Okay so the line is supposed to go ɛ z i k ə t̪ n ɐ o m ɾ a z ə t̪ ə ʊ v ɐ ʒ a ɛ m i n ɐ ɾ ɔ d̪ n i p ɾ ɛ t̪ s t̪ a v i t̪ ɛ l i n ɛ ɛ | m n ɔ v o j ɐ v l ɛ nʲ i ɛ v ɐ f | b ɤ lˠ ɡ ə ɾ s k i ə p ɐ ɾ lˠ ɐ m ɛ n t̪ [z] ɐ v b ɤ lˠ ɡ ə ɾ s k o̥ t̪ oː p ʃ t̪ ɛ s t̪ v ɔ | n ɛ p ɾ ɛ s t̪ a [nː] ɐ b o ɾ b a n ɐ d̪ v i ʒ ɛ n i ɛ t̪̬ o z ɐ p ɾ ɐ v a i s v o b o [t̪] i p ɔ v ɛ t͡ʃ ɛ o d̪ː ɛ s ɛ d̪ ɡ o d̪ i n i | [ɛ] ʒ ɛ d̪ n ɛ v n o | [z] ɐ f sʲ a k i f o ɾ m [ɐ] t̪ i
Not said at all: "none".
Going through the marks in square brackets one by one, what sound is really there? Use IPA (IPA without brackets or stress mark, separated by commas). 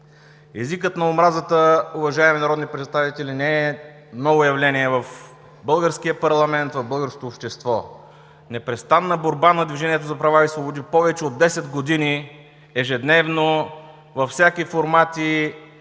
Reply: v, nː, d̪, ɛ, v, a